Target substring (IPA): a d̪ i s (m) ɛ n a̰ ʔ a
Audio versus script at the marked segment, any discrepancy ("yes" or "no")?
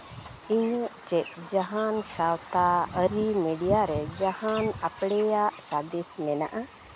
no